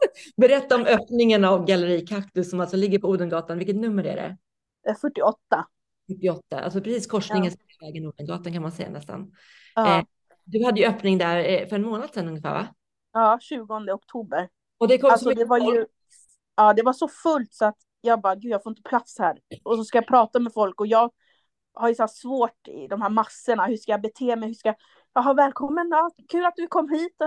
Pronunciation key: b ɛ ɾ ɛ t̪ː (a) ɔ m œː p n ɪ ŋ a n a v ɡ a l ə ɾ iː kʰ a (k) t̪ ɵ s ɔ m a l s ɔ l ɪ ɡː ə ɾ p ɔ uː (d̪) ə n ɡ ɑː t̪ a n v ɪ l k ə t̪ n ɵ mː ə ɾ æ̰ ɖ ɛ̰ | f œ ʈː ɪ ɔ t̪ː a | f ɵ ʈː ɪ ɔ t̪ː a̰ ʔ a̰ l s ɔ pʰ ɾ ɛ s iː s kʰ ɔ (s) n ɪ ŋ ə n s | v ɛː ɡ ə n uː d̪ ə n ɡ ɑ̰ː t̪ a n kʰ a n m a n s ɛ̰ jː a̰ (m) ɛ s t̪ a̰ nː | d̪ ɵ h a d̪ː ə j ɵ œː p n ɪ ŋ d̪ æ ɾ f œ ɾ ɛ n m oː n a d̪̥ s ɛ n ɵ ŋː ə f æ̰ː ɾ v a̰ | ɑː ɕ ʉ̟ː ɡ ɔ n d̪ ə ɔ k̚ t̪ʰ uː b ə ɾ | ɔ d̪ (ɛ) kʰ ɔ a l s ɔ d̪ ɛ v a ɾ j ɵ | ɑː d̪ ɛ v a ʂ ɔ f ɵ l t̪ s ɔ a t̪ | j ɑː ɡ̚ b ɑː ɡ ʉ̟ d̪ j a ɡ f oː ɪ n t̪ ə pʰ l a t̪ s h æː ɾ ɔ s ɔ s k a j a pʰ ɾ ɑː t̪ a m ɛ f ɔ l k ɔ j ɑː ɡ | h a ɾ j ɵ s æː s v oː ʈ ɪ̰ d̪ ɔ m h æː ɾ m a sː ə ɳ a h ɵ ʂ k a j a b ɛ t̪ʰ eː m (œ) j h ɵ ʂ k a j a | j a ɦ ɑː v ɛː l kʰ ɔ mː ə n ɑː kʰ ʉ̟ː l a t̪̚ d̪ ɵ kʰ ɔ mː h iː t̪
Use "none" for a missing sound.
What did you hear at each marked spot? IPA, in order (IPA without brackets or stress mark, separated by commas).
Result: a, k, d̪, ʂ, n, ɛ, ɛ